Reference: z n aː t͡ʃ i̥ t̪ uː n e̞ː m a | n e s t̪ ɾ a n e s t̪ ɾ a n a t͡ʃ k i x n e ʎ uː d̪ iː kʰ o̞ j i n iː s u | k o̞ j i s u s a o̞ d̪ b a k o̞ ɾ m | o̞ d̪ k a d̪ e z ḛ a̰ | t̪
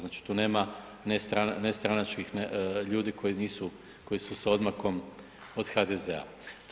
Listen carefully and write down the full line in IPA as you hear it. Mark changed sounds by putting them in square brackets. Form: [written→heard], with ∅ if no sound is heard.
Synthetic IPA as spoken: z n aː t͡ʃ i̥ t̪ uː n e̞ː m a | n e s t̪ ɾ a n e s t̪ ɾ a n a t͡ʃ k i x n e ʎ uː d̪ [iː→i] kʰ o̞ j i n iː s u | k o̞ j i s u s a o̞ d̪ [b→m] a k o̞ [ɾ→∅] m | o̞ d̪ [k→x] a d̪ e z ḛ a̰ | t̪